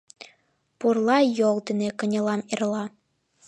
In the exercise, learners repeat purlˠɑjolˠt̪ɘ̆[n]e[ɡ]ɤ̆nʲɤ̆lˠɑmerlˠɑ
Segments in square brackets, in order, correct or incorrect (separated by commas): correct, incorrect